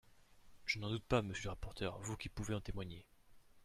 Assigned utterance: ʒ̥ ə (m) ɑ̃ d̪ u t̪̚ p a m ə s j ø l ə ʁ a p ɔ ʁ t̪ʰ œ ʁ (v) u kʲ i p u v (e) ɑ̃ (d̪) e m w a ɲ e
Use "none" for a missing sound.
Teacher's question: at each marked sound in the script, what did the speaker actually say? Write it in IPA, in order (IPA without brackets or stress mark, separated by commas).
n, v, e, t̪